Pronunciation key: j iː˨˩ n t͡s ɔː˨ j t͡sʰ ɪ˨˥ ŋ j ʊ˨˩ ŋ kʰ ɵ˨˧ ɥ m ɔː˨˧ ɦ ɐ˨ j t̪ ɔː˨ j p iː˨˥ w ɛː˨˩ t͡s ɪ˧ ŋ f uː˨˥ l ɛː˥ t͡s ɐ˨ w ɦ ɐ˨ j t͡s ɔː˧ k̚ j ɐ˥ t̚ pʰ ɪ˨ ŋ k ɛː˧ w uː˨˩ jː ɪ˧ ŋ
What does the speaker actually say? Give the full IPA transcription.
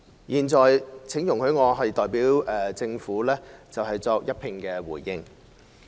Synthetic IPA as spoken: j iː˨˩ n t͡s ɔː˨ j t͡sʰ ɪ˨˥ ŋ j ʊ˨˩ ŋ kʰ ɵ˨˧ ɥ ŋ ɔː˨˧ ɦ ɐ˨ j t̪ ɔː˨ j p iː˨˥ w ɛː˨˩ t͡s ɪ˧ ŋ f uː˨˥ l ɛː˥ t͡s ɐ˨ w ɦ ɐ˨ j t͡s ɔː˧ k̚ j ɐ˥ t̚ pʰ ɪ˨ ŋ k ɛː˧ w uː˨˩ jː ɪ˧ ŋ

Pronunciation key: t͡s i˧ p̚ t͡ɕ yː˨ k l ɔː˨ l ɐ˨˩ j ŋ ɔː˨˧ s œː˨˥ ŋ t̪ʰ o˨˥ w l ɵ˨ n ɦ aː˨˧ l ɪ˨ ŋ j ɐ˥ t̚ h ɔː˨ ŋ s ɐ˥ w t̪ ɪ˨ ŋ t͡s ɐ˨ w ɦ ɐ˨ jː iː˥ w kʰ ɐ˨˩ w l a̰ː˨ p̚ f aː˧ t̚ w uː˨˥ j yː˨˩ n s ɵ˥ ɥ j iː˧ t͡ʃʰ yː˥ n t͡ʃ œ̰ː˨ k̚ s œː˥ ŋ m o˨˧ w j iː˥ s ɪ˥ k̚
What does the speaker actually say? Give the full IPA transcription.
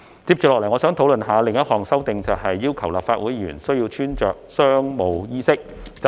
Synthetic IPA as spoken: t͡s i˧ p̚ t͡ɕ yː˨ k l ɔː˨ l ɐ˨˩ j ŋ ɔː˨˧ s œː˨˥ ŋ t̪ʰ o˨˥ w l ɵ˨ n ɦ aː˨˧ l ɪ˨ ŋ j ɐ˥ t̚ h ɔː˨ ŋ s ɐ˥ w t̪ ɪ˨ ŋ t͡s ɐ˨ w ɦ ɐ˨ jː iː˥ w kʰ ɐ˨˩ w l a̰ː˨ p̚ f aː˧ t̚ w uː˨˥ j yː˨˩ n s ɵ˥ ɥ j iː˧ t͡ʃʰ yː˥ n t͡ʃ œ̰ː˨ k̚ s œː˥ ŋ m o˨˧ w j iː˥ s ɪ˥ k̚

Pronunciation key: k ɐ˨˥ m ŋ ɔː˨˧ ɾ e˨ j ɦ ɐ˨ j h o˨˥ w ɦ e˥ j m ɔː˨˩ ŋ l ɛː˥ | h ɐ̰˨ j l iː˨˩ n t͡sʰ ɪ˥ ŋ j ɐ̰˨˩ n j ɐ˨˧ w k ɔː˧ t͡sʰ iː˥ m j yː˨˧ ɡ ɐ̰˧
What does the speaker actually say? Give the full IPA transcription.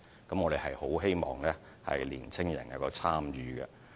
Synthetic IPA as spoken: k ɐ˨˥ m ŋ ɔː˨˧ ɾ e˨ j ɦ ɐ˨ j h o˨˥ w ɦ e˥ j m ɔː˨˩ ŋ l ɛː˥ | h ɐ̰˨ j l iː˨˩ n t͡sʰ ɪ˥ ŋ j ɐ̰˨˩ n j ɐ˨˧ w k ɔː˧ t͡sʰ aː˥ m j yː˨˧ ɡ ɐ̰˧

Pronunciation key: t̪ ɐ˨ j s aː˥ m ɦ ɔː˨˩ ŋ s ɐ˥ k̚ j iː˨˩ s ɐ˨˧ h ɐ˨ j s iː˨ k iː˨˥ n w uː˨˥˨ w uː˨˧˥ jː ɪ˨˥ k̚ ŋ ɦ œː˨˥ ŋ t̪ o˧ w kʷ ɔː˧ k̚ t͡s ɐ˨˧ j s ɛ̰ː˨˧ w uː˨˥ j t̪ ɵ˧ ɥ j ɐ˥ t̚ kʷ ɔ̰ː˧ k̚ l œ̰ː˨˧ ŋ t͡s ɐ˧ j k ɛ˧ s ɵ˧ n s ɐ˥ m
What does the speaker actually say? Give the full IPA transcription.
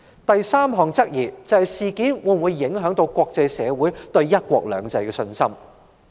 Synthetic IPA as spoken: t̪ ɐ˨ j s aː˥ m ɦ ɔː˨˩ ŋ t͡s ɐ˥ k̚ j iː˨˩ t͡s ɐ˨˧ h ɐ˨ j s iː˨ k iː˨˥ n w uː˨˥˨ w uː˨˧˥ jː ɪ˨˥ ŋ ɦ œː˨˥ ŋ t̪ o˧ w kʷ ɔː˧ k̚ t͡s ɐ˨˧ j s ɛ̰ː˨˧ w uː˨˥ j t̪ ɵ˧ ɥ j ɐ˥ t̚ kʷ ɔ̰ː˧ k̚ l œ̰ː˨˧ ŋ t͡s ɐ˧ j k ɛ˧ s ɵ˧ n s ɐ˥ m

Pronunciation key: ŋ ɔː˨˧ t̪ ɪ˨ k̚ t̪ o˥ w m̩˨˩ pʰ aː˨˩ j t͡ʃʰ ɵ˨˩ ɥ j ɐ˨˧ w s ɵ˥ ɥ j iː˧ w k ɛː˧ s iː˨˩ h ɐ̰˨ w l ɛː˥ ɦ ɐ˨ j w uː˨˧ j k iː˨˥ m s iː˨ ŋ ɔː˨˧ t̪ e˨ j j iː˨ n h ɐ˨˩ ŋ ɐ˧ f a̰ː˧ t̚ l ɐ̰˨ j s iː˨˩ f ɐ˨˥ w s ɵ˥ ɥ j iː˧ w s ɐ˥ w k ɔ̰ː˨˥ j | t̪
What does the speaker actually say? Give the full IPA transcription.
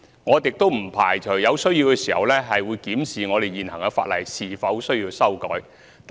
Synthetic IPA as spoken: ŋ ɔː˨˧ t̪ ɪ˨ k̚ t̪ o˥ w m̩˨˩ pʰ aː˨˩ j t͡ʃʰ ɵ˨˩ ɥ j ɐ˨˧ w s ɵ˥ ɥ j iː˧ w k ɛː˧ s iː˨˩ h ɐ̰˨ w l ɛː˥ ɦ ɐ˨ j w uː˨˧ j k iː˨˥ m s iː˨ ŋ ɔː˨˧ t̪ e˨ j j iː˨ n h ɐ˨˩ ŋ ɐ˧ f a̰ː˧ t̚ l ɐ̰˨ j s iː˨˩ f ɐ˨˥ w s ɵ˥ ɥ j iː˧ w s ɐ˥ w k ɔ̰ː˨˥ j | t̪

